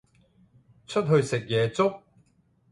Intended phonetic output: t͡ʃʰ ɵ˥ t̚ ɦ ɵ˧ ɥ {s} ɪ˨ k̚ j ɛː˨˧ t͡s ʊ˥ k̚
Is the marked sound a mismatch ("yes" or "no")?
no